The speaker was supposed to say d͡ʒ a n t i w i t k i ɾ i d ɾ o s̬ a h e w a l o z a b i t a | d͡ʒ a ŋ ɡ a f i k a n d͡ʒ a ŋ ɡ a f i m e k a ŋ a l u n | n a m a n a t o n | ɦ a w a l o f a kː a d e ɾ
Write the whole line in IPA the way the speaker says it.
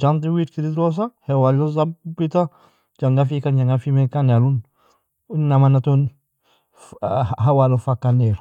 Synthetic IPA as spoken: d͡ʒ a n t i w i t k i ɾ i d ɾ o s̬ a h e w a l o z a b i t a | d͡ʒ a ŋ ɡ a f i k a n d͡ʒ a ŋ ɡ a f i m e k a n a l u n | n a m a n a t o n | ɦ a w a l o f a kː a n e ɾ